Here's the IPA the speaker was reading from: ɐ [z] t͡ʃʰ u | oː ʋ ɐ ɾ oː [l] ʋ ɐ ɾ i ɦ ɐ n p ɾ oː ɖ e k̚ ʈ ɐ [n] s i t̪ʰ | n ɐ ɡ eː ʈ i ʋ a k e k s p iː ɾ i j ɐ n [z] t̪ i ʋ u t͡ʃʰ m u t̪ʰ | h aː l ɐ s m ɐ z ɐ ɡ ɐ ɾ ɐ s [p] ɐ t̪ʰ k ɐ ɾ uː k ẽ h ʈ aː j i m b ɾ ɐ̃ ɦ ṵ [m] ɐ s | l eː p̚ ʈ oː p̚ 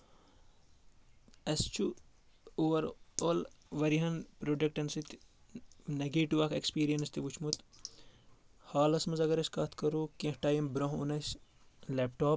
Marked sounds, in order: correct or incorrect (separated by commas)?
incorrect, correct, correct, incorrect, incorrect, incorrect